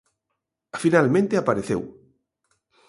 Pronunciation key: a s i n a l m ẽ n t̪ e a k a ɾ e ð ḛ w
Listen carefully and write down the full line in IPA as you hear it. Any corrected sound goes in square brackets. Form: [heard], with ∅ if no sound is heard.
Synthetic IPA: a [f] i n a l m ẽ n t̪ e a [p] a ɾ e [θ] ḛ w